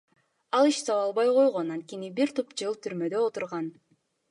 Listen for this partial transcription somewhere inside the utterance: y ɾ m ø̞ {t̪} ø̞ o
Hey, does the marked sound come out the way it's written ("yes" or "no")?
no